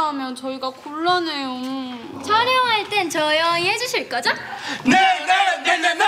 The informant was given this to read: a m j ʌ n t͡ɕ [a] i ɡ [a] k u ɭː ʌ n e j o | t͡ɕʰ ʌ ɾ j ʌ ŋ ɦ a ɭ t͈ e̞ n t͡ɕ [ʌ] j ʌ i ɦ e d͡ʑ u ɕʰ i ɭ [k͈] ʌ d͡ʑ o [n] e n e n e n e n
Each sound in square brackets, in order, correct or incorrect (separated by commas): incorrect, correct, correct, correct, correct